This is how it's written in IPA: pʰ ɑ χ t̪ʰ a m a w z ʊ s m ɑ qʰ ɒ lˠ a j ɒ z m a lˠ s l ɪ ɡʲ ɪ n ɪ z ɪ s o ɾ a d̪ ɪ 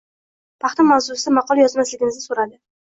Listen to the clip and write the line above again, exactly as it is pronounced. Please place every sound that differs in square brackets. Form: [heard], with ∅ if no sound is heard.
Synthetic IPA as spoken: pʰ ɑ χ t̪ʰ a m a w z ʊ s m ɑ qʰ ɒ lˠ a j ɒ z m a [∅] s l ɪ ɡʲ ɪ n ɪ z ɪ s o ɾ a d̪ ɪ